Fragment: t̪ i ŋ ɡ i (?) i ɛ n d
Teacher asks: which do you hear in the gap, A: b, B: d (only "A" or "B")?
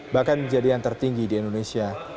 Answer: B